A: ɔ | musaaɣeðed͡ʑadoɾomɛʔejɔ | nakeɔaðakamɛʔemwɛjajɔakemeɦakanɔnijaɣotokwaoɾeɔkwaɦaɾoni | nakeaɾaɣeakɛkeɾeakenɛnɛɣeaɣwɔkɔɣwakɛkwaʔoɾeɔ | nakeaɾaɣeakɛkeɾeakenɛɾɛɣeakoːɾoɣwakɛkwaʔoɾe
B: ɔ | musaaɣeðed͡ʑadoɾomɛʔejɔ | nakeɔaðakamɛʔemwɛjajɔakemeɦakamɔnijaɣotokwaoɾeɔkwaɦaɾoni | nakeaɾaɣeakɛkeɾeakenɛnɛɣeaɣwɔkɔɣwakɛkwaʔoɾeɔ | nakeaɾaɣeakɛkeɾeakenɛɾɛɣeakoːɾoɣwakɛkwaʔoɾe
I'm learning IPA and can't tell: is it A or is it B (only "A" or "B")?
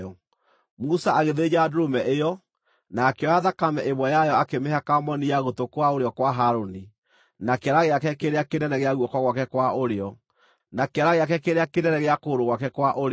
B